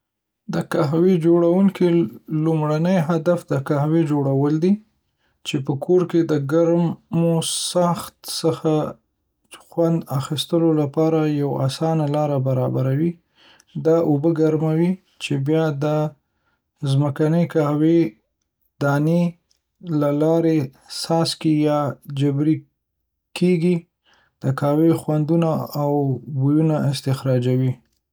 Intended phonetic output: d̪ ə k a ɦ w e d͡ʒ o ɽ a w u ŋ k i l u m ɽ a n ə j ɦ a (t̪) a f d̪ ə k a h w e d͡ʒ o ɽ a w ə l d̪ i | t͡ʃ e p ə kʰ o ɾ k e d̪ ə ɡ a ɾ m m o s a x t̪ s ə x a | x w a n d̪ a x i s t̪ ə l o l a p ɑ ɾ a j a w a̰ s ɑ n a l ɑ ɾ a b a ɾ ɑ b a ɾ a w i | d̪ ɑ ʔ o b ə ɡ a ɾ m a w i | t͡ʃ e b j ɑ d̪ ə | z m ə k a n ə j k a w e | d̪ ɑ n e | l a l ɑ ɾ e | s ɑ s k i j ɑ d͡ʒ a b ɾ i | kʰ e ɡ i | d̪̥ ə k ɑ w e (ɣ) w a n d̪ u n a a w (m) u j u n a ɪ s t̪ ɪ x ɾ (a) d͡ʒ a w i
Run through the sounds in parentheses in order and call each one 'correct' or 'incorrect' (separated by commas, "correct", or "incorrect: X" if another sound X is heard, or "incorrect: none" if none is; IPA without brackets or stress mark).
incorrect: d̪, incorrect: x, incorrect: b, incorrect: ɑ